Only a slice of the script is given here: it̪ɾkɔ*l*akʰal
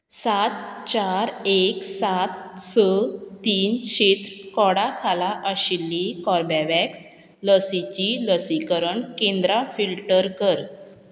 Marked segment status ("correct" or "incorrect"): incorrect